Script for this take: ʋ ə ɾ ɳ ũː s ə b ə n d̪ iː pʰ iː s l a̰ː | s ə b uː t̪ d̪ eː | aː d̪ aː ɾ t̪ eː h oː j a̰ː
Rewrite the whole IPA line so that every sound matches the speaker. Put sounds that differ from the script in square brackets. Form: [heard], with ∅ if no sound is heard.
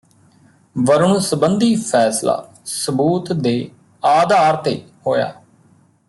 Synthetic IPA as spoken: ʋ ə ɾ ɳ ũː s ə b ə n d̪ iː pʰ [ɛː] s l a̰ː | s ə b uː t̪ d̪ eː | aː d̪ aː ɾ t̪ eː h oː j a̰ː